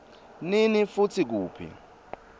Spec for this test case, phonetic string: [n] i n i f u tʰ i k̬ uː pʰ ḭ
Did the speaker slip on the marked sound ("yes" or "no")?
no